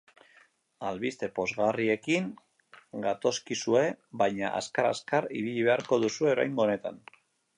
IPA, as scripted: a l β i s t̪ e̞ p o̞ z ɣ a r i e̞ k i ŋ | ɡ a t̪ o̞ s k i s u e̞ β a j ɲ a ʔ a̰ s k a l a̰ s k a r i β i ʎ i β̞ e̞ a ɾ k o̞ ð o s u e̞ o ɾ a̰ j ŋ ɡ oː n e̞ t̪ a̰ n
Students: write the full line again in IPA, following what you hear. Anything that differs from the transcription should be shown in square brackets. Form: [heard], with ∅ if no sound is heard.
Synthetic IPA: a l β i s t̪ e̞ p o̞ z ɣ a r i e̞ k i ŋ | ɡ a t̪ o̞ s k i s u e̞ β a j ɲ a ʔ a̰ s k a [ɾ] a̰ s k a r i β i ʎ i β̞ e̞ a ɾ k o̞ ð [u] s u e̞ o ɾ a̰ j ŋ ɡ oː n e̞ t̪ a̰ n